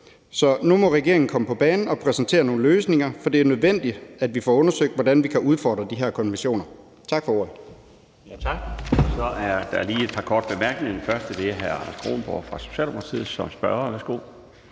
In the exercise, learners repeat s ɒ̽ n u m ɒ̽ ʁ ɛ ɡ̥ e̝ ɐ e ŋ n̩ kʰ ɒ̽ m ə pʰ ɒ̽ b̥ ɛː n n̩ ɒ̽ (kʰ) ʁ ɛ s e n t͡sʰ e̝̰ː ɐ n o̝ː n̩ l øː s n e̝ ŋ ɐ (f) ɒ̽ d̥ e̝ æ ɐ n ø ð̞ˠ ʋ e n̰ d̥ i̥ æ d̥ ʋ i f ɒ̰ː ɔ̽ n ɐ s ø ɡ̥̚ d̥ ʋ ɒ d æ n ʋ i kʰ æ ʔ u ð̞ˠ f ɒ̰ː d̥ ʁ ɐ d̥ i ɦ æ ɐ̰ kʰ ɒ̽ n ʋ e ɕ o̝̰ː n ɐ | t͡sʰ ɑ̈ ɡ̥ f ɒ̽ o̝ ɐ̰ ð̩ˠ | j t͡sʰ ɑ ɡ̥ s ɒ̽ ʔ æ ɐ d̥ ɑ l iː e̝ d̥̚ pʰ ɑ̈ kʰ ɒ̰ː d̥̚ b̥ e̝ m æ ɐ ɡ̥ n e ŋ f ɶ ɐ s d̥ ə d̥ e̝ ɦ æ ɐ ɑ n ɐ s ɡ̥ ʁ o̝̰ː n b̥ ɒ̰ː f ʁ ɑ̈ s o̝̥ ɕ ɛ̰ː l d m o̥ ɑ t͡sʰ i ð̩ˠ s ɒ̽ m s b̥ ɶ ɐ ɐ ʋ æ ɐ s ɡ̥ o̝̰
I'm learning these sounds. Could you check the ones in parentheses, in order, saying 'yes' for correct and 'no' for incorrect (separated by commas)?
no, yes